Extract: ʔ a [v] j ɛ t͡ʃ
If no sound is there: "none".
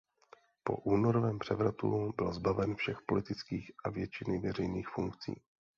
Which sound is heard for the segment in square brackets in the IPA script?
v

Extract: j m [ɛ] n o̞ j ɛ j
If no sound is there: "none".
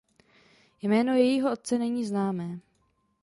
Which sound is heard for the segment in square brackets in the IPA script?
ɛː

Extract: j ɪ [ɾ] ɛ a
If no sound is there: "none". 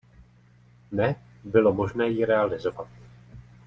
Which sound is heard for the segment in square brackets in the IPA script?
ɾ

